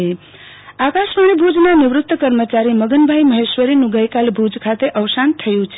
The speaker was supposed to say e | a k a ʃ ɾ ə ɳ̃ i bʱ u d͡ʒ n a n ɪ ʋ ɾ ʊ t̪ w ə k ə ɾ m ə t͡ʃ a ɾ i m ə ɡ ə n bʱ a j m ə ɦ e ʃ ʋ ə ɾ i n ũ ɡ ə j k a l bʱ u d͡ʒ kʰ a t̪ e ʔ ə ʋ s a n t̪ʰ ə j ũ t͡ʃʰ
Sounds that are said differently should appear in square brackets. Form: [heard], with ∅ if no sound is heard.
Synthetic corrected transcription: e | a k a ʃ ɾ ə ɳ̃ i bʱ u d͡ʒ n a n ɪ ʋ ɾ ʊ t̪ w ə k ə ɾ m ə t͡ʃ a ɾ i m ə ɡ ə n bʱ a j m ə ɦ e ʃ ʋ ə ɾ i n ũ ɡ ə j k a l bʱ u d͡ʒ kʰ a t̪ e ʔ ə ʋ s a n t̪ʰ ə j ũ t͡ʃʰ

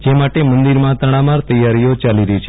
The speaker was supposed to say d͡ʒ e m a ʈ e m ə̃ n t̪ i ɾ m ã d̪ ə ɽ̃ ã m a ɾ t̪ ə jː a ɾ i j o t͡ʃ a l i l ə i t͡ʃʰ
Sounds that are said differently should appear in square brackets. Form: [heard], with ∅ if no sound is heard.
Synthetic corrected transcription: d͡ʒ e m a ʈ e m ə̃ n [d̪] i ɾ m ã [t̪] ə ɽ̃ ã m a ɾ t̪ ə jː a ɾ i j o t͡ʃ a l i [ɾ] ə i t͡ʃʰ

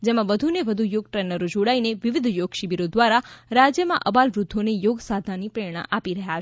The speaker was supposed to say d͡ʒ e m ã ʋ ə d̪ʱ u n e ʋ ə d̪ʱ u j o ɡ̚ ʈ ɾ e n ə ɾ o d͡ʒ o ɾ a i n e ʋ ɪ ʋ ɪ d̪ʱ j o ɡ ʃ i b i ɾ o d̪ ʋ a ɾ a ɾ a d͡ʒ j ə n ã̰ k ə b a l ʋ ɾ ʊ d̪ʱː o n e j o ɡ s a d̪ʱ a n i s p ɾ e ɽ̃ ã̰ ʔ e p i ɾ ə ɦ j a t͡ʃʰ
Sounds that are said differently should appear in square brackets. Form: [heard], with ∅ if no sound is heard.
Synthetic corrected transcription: d͡ʒ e m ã ʋ ə d̪ʱ u n e ʋ ə d̪ʱ u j o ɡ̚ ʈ ɾ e n ə ɾ o d͡ʒ o [ɽ] a i n e ʋ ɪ ʋ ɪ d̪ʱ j o ɡ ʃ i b i ɾ o d̪ ʋ a ɾ a ɾ a d͡ʒ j ə [m] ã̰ [ʔ] ə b a l ʋ ɾ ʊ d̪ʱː o n e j o ɡ s a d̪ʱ a n i [∅] p ɾ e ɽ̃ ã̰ ʔ [a] p i ɾ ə ɦ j a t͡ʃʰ

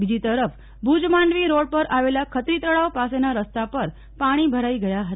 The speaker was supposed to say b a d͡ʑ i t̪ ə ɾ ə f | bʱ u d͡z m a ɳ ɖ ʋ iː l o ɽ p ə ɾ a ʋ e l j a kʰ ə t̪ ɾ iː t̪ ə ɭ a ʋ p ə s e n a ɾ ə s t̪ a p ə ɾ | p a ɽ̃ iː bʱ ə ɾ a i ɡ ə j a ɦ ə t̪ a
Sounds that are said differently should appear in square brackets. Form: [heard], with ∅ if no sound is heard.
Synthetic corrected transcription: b [i] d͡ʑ i t̪ ə ɾ ə f | bʱ u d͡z m a ɳ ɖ ʋ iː [ɾ] o ɽ p ə ɾ a ʋ e l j a kʰ ə t̪ ɾ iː t̪ ə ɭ a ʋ p [a] s e n a ɾ ə s t̪ a p ə ɾ | p a ɽ̃ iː bʱ ə ɾ a i ɡ ə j a ɦ ə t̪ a

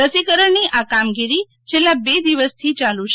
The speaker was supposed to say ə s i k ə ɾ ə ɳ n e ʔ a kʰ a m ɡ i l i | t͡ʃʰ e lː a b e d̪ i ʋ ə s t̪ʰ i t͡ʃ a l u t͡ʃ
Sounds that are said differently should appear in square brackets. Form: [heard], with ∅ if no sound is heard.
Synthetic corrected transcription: ə s i k ə ɾ ə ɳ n [i] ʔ a [k] a m ɡ i [ɾ] i | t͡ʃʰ e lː a b e d̪ i ʋ ə s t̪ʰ i t͡ʃ a l u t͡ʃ

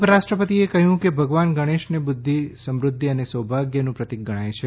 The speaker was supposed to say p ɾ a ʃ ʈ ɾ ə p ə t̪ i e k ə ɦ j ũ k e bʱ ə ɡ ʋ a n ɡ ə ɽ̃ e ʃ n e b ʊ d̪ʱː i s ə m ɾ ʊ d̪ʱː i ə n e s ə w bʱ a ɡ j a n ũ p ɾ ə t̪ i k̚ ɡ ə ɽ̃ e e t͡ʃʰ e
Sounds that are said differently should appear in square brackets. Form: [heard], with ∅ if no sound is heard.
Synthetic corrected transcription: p ɾ a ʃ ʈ ɾ ə p ə t̪ i e k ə ɦ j ũ k e bʱ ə ɡ ʋ a n ɡ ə ɽ̃ e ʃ n e b ʊ d̪ʱː i s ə m ɾ ʊ d̪ʱː i ə n e s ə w bʱ a ɡ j [ə] n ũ p ɾ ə t̪ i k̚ ɡ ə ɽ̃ [a] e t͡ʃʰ e

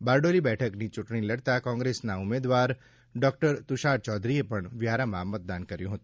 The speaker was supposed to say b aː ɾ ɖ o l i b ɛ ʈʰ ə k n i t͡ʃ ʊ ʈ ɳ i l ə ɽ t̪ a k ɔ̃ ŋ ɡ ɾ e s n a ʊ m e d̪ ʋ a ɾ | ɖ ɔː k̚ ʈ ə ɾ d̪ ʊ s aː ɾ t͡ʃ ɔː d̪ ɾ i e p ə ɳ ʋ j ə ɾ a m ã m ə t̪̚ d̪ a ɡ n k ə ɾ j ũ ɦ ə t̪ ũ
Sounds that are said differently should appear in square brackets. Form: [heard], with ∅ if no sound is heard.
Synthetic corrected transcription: b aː ɾ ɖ o l i b ɛ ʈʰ ə k n i t͡ʃ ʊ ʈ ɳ i l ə ɽ t̪ a k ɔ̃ ŋ ɡ ɾ e s n a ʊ m e d̪ ʋ a ɾ | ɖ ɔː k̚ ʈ ə ɾ [t̪] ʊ [ʃ] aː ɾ t͡ʃ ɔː d̪ ɾ i e p ə ɳ ʋ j [a] ɾ a m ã m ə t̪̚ d̪ a [∅] n k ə ɾ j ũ ɦ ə t̪ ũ

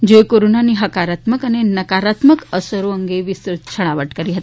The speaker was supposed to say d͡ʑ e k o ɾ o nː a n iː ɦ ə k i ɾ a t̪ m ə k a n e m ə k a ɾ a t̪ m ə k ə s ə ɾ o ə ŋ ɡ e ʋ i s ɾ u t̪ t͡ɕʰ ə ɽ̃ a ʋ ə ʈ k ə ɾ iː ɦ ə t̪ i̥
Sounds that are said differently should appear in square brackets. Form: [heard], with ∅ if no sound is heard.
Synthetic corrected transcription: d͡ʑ e k o ɾ o [n] a n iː ɦ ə k [a] ɾ a t̪ m ə k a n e [n] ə k a ɾ a t̪ m ə k ə s ə ɾ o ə ŋ ɡ e ʋ i s ɾ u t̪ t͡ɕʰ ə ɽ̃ a ʋ ə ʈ k ə ɾ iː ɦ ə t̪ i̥

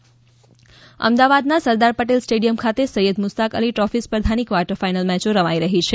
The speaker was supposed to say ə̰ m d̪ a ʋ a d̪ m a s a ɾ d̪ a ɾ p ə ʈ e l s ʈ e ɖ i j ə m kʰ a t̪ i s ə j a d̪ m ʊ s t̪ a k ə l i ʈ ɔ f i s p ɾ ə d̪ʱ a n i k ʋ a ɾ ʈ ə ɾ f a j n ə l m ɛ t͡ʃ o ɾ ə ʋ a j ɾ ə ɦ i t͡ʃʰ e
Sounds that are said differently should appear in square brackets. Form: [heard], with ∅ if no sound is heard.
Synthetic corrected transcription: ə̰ m d̪ a ʋ a d̪ [n] a s [ə] ɾ d̪ a ɾ p ə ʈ e l s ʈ e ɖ i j ə m kʰ a t̪ [e] s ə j [ə] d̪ m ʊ s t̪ a k ə l i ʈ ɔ f i s p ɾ ə d̪ʱ a n i k ʋ a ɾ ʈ ə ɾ f a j n ə l m ɛ t͡ʃ o ɾ ə ʋ a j ɾ ə ɦ i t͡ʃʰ e

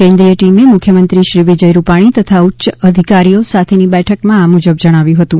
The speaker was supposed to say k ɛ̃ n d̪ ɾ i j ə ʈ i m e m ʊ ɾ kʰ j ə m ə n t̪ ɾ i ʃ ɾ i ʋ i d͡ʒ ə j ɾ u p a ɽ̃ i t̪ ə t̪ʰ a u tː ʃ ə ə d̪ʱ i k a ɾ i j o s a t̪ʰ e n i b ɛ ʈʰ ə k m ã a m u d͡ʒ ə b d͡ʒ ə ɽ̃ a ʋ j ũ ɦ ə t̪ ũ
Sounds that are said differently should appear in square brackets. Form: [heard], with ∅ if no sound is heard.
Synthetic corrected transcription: k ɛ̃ n d̪ ɾ i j ə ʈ i m e m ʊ [∅] kʰ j ə m ə n t̪ ɾ i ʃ ɾ i ʋ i d͡ʒ ə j ɾ u p a ɽ̃ i t̪ ə t̪ʰ a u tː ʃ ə ə d̪ʱ i k a ɾ i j o s a t̪ʰ e n i b ɛ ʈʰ ə k m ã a m u d͡ʒ ə b d͡ʒ ə ɽ̃ a ʋ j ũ ɦ ə t̪ ũ

